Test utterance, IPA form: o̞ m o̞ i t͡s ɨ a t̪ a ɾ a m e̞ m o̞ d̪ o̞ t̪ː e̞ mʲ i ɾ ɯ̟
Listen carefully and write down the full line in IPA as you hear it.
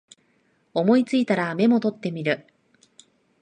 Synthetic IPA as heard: o̞ m o̞ i t͡s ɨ i t̪ a ɾ a m e̞ m o̞ t̪ o̞ t̪ː e̞ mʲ i ɾ ɯ̟